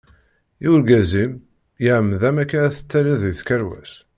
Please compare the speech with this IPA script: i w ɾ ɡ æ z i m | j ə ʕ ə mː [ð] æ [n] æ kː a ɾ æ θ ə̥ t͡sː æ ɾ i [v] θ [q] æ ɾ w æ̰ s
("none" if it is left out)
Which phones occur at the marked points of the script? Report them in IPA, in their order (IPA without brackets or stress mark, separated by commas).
ð, m, ð, k